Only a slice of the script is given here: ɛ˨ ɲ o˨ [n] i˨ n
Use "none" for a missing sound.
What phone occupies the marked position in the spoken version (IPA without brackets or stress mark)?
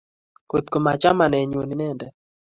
n